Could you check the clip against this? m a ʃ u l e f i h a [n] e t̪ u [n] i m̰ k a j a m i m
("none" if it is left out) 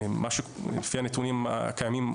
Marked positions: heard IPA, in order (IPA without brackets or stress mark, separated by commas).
n, n